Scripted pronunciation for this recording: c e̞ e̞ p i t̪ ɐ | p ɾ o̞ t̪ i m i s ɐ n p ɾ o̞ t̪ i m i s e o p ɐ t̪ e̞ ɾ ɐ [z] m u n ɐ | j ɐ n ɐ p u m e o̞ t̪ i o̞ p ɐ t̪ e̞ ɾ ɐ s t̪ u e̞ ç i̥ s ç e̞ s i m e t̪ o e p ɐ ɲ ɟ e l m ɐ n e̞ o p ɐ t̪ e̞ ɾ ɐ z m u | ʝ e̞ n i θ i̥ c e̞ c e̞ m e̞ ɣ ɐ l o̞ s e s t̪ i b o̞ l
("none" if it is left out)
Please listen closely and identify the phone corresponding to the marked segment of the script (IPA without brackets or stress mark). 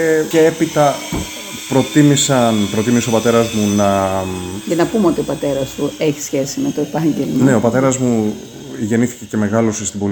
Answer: z